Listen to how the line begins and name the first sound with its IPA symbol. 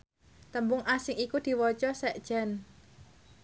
t̪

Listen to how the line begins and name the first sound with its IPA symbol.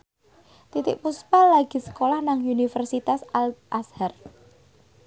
t̪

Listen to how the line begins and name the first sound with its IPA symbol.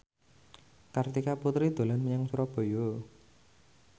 k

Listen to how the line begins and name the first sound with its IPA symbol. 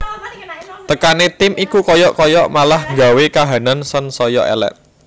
t̪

